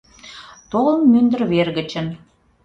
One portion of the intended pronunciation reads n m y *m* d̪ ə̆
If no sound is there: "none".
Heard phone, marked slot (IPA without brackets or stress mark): n